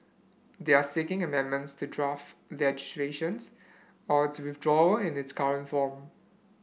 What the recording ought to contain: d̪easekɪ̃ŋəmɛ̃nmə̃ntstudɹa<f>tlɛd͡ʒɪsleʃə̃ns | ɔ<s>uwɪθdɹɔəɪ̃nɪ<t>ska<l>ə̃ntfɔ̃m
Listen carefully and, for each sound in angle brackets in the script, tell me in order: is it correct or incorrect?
correct, incorrect: t, correct, incorrect: ɹ

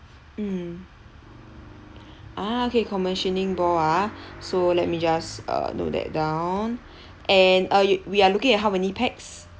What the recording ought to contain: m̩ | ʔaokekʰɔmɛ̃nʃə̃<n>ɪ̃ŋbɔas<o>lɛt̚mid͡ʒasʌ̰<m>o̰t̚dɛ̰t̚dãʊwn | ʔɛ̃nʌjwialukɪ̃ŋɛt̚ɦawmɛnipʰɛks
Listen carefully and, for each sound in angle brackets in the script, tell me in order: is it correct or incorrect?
correct, correct, incorrect: n

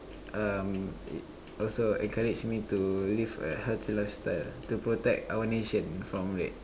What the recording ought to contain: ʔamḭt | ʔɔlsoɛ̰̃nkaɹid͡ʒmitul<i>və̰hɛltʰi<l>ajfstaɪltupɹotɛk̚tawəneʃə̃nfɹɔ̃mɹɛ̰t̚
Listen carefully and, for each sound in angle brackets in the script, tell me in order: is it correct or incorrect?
correct, correct

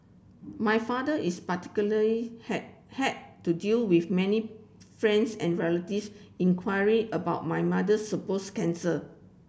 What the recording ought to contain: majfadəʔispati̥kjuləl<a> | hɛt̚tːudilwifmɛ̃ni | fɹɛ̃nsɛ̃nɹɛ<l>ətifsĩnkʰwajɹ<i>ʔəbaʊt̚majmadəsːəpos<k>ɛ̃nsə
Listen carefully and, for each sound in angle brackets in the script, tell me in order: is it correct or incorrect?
incorrect: i, correct, correct, correct

